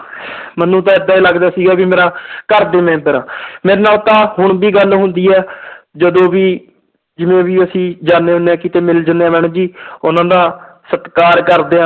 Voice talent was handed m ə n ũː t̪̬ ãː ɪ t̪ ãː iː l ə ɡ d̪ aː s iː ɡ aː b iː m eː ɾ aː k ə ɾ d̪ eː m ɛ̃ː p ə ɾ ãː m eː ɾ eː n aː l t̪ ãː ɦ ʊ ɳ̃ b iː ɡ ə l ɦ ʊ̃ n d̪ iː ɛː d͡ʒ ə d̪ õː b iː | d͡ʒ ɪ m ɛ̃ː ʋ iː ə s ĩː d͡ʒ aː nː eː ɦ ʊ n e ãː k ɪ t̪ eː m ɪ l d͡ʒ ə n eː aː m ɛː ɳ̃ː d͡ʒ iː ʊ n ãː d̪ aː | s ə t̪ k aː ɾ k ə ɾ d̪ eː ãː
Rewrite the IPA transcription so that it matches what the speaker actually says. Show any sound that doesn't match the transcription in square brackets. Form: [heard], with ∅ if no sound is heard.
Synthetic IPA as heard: m ə n ũː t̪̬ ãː ɪ [d̪] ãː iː l ə ɡ d̪ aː s iː ɡ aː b iː m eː ɾ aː k ə ɾ d̪ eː m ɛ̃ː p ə ɾ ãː m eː ɾ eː n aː l t̪ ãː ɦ ʊ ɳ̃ b iː ɡ ə l ɦ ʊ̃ n d̪ iː ɛː d͡ʒ ə d̪ õː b iː | d͡ʒ ɪ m [ẽː] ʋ iː ə s ĩː d͡ʒ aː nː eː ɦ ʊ n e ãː k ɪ t̪ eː m ɪ l d͡ʒ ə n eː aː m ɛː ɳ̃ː d͡ʒ iː ʊ n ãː d̪ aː | s ə t̪ k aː ɾ k ə ɾ d̪ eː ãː